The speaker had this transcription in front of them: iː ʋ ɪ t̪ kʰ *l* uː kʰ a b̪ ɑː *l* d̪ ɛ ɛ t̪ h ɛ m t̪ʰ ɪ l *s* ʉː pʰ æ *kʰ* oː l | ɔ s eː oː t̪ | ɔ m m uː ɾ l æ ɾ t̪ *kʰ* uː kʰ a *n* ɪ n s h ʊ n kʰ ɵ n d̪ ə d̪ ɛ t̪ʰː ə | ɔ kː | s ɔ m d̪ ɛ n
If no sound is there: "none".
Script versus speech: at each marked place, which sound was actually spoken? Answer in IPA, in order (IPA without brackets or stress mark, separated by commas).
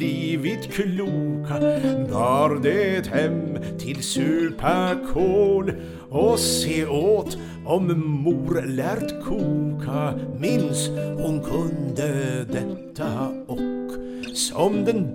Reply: l, ɾ, s, kʰ, kʰ, m